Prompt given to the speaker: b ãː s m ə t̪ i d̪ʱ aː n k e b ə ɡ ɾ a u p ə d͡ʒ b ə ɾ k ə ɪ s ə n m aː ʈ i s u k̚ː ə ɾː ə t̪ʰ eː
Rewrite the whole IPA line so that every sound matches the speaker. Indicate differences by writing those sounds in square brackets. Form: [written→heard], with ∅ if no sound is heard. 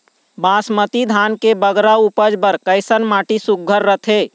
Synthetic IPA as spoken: b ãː s m ə t̪ i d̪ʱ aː n k e b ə ɡ ɾ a u p ə d͡ʒ b ə ɾ k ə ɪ s ə n m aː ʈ i s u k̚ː ə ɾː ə t̪ʰ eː

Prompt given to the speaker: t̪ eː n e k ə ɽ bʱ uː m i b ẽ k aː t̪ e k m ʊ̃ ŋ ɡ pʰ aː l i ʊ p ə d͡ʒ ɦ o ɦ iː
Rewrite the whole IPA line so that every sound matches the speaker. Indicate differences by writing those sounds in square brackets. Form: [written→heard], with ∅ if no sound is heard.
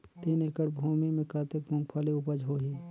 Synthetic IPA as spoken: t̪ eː n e k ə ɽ bʱ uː m i [b→m] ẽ k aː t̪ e k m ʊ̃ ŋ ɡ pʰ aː l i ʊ p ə d͡ʒ ɦ o ɦ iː

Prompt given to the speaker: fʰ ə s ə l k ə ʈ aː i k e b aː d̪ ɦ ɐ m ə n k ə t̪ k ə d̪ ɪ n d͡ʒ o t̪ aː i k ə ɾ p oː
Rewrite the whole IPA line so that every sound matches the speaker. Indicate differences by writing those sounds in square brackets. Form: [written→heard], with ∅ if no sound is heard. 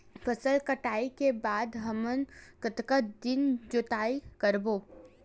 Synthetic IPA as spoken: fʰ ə s ə l k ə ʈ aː i k e b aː d̪ ɦ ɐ m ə n k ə t̪ k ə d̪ ɪ n d͡ʒ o t̪ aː i k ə ɾ [p→b] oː

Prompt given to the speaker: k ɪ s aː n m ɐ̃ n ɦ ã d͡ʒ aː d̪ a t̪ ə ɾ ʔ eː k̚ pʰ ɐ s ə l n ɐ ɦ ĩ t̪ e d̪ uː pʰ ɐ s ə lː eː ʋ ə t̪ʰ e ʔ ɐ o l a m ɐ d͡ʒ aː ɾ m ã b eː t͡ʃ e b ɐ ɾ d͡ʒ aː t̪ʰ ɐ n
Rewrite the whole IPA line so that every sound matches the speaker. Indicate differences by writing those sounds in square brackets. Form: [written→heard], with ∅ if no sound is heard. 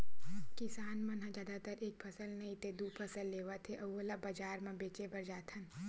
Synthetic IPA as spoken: k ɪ s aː n m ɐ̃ n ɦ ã d͡ʒ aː d̪ a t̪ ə ɾ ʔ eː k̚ pʰ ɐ s ə l n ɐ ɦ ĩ t̪ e d̪ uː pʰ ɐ s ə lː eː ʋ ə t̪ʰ e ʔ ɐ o l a [m→b] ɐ d͡ʒ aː ɾ m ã b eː t͡ʃ e b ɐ ɾ d͡ʒ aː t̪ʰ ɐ n

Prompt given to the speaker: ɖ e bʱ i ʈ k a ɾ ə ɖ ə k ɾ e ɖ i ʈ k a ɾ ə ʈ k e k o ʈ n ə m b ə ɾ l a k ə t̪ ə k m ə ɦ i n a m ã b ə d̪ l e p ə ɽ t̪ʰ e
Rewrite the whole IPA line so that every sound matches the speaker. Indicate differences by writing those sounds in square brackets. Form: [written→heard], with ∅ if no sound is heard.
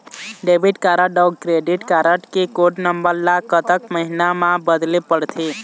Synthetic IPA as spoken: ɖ e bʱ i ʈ k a ɾ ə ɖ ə k ɾ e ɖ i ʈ k a ɾ ə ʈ k e k o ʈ n ə m b ə ɾ l a k ə t̪ ə k m ə ɦ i n a m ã b ə d̪ l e p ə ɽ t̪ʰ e

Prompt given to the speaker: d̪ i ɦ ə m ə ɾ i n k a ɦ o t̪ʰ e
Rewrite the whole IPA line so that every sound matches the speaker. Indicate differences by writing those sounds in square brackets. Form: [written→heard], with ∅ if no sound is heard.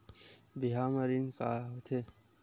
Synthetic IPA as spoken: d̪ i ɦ [ə→a] m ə ɾ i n k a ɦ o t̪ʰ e

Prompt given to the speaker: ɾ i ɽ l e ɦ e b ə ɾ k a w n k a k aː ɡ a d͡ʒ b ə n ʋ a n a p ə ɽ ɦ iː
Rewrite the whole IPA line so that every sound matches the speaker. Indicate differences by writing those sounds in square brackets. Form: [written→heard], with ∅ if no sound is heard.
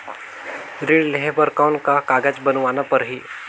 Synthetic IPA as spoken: ɾ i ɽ l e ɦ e b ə ɾ k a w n k a k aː ɡ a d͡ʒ b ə n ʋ a n a p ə [ɽ→ɾ] ɦ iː

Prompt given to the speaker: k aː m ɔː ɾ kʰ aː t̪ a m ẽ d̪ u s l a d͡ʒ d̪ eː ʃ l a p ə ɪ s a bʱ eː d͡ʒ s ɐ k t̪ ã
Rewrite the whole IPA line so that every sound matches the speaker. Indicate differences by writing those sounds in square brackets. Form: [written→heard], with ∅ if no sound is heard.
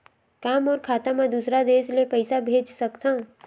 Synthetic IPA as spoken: k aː m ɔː ɾ kʰ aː t̪ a m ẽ d̪ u s [l→ɾ] a [d͡ʒ→∅] d̪ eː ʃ l [a→e] p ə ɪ s a bʱ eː d͡ʒ s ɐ k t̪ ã

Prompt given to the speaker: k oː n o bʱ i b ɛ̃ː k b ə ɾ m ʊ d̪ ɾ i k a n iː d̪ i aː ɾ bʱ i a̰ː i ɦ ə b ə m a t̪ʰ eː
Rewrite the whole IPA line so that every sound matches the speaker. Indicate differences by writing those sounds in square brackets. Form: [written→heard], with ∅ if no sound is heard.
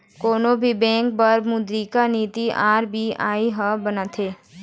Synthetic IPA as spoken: k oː n o bʱ i b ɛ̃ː k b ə ɾ m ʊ d̪ ɾ i k a n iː [d̪→t̪] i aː ɾ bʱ i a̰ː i ɦ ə b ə [m→n] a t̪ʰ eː

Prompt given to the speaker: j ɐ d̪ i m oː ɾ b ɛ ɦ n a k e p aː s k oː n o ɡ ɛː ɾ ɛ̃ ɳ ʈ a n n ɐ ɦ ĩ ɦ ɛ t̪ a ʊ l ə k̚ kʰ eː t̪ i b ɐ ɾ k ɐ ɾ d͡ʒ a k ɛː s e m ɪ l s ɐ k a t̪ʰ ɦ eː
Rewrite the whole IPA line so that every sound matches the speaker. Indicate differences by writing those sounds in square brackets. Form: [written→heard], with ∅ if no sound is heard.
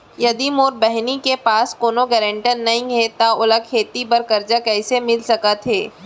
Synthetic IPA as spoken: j ɐ d̪ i m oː ɾ b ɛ ɦ n [a→i] k e p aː s k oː n o ɡ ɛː ɾ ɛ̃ ɳ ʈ [a→ə] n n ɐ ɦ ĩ ɦ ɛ t̪ a ʊ l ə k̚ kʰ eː t̪ i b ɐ ɾ k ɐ ɾ d͡ʒ a k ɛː s e m ɪ l s ɐ k a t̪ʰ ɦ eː

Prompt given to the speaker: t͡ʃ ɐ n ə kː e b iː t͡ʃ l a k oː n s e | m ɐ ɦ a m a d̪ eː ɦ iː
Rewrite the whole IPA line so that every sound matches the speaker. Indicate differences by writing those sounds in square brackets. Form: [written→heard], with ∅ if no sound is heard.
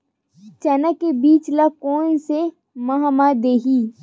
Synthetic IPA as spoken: t͡ʃ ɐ n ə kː e b iː t͡ʃ l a k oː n s e | m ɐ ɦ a m a d̪ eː ɦ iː

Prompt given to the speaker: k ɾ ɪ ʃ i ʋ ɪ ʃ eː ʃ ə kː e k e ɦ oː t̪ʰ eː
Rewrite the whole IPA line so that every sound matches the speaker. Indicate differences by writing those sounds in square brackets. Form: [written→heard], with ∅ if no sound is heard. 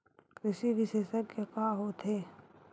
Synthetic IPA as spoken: k ɾ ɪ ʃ i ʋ ɪ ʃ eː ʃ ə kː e k [e→a] ɦ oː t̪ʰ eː

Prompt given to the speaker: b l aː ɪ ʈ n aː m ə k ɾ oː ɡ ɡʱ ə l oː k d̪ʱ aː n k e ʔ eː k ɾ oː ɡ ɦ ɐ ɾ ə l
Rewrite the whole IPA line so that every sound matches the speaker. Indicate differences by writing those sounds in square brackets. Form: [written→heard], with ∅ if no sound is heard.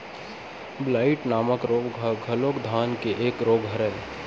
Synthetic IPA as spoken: b l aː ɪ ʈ n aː m ə k ɾ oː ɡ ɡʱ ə l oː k d̪ʱ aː n k e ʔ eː k ɾ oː ɡ ɦ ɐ ɾ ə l

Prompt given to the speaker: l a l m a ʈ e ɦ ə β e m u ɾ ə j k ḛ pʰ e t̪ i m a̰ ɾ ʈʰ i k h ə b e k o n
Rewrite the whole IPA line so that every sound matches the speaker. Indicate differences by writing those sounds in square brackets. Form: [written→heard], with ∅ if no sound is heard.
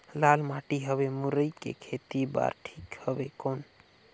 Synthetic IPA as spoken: l a l m a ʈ [e→i] ɦ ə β e m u ɾ ə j k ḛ [pʰ→kʰ] e t̪ i [m→b] a̰ ɾ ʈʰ i k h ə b e k o n

